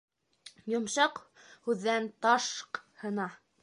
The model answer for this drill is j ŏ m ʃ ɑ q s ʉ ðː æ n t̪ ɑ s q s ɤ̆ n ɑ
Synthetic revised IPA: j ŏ m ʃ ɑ q h ʉ ðː æ n t̪ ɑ ʃ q h ɤ̆ n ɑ